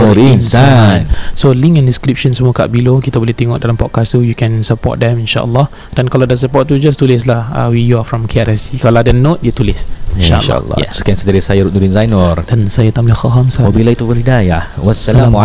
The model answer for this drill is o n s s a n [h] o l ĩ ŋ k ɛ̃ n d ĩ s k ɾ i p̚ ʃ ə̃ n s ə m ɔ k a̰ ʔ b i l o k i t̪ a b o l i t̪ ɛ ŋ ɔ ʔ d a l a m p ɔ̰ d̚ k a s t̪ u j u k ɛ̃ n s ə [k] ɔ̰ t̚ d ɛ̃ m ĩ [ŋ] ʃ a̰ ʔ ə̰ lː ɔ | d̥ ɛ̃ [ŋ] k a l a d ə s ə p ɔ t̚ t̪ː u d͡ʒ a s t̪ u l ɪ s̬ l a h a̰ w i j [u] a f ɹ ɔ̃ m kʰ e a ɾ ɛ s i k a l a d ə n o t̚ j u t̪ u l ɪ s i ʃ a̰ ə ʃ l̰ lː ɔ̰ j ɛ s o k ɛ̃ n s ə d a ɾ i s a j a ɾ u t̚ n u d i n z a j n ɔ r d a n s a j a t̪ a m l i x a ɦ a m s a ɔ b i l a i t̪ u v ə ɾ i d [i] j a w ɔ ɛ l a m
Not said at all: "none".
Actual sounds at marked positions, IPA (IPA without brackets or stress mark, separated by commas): s, p, n, n, u, a